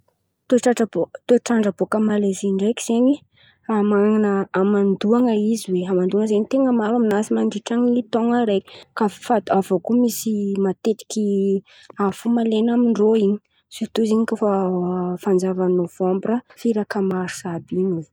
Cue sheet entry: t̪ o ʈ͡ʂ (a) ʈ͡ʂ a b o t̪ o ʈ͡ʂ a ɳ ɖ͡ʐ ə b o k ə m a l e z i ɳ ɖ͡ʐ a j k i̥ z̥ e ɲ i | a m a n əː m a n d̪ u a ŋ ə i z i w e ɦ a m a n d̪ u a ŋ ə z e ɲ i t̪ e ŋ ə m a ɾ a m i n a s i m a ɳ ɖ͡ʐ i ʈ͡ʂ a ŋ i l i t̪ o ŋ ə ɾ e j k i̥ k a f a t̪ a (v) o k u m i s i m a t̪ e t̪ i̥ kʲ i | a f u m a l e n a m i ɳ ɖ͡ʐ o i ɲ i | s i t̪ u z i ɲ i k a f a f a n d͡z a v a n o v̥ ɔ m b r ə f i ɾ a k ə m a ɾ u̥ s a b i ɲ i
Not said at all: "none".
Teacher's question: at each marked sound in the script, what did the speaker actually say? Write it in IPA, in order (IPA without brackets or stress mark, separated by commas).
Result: a, v